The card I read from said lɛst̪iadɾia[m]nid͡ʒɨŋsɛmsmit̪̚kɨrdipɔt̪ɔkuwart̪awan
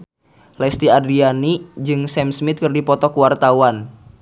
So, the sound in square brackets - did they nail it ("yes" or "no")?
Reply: no